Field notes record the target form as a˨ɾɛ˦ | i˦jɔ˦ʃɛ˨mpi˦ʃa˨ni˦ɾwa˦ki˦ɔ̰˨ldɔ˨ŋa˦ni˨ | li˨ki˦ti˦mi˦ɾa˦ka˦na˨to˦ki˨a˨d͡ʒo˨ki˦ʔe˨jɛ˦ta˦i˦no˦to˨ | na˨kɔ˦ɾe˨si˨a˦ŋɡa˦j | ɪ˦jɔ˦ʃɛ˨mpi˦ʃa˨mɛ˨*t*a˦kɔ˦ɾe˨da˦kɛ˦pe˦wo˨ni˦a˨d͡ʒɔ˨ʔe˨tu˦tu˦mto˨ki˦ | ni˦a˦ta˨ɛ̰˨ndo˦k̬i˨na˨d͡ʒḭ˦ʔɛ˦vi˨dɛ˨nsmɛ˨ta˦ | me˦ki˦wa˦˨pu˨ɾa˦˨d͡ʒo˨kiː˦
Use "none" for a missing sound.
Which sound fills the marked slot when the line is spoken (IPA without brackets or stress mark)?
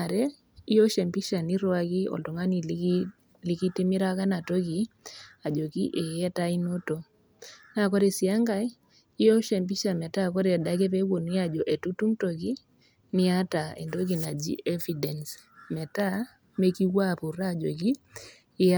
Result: t